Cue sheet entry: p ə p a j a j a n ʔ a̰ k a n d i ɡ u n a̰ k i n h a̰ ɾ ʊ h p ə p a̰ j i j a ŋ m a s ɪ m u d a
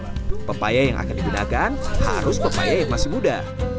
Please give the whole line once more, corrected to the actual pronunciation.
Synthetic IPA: p ə p a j a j a ŋ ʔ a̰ k a n d i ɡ u n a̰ k a n h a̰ ɾ ʊ s p ə p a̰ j a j a ŋ m a s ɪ m u d a